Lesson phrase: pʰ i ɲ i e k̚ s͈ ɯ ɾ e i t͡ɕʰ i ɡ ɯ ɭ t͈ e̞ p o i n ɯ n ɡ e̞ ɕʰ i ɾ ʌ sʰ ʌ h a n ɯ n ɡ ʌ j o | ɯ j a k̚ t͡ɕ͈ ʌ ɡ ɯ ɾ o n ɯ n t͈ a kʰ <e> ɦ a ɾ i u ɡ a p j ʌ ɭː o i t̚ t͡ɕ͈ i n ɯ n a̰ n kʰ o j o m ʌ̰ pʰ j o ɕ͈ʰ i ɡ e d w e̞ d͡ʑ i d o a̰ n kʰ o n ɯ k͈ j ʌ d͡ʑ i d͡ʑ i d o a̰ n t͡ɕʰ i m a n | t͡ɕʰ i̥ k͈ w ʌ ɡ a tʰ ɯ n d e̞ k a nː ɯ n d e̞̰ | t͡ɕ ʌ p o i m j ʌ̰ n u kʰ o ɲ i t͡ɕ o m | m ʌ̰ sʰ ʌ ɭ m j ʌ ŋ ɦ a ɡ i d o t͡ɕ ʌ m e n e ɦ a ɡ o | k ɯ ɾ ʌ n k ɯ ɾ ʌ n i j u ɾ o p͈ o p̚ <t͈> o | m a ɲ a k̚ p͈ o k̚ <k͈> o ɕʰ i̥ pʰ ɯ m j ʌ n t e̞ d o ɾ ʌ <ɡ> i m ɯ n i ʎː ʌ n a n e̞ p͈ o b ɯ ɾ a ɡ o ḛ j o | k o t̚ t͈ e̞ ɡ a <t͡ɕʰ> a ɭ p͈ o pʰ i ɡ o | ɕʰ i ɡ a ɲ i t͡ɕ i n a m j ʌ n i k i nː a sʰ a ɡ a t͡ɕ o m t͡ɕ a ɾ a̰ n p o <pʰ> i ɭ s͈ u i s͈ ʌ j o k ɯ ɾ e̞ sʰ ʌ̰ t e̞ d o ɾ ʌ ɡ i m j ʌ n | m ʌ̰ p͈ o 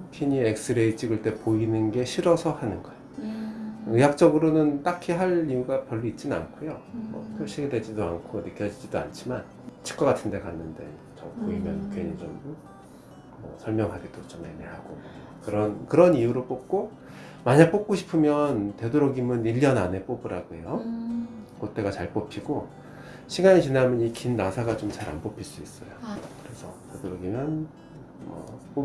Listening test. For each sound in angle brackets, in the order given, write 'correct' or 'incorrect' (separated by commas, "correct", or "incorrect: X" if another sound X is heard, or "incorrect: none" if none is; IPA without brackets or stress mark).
incorrect: i, incorrect: k͈, correct, correct, incorrect: t͡ɕ, correct